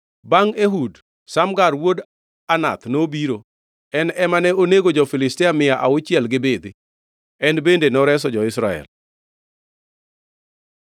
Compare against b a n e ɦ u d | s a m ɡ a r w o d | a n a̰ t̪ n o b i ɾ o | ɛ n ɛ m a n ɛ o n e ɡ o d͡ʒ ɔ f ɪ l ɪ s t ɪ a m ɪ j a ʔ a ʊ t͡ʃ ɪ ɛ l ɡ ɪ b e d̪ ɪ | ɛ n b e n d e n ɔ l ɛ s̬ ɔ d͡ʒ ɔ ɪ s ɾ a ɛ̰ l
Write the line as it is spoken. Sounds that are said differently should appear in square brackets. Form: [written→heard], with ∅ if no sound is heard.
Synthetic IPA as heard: b a [n→ŋ] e ɦ u d | s a m ɡ a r w o d | a n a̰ t̪ n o b i ɾ o | ɛ n ɛ m a n ɛ o n e ɡ o d͡ʒ ɔ f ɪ l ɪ s t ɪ a m ɪ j a ʔ a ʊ t͡ʃ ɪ ɛ l ɡ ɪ b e d̪ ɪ | ɛ n b e n d e n ɔ [l→ɾ] ɛ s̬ ɔ d͡ʒ ɔ ɪ s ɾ a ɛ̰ l

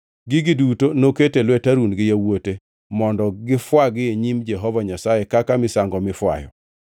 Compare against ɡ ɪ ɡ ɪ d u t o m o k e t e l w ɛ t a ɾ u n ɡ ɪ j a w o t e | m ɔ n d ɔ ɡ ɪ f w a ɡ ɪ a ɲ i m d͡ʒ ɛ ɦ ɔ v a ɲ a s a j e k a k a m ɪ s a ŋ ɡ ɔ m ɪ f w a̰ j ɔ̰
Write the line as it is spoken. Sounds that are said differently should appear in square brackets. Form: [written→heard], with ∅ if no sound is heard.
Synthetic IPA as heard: ɡ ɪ ɡ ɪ d u t o [m→n] o k e t e l w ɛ t a ɾ u n ɡ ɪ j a w o t e | m ɔ n d ɔ ɡ ɪ f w a ɡ ɪ [a→e] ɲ i m d͡ʒ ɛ ɦ ɔ v a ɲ a s a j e k a k a m ɪ s a ŋ ɡ ɔ m ɪ f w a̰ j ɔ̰

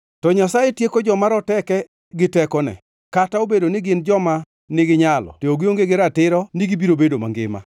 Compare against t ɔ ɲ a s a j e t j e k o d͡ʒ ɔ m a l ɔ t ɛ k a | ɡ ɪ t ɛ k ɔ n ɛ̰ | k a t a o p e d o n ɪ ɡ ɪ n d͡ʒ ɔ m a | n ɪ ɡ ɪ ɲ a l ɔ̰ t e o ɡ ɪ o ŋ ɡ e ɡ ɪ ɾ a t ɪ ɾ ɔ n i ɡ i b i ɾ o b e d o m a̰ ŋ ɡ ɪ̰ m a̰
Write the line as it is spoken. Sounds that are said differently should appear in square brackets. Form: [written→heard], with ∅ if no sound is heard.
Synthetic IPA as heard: t ɔ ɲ a s a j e t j e k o d͡ʒ ɔ m a [l→ɾ] ɔ t ɛ k [a→ɛ] | ɡ ɪ t ɛ k ɔ n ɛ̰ | k a t a o [p→b] e d o n ɪ ɡ ɪ n d͡ʒ ɔ m a | n ɪ ɡ ɪ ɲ a l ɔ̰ t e o ɡ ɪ o ŋ ɡ e ɡ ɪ ɾ a t ɪ ɾ ɔ n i ɡ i b i ɾ o b e d o m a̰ ŋ ɡ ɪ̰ m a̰

